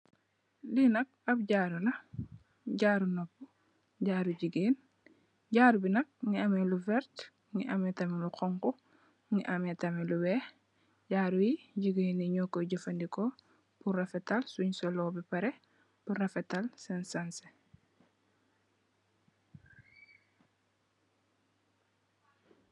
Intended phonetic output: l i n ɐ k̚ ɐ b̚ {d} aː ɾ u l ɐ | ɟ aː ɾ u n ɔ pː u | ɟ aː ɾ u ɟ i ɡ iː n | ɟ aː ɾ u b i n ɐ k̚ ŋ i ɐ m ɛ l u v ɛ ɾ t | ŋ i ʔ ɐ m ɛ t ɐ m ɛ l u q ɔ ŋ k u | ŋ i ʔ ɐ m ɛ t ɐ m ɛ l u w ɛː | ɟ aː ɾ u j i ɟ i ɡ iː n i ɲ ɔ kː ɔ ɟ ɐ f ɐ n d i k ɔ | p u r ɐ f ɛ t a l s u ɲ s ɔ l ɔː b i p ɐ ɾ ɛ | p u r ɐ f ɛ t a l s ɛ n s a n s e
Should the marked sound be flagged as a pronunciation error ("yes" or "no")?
yes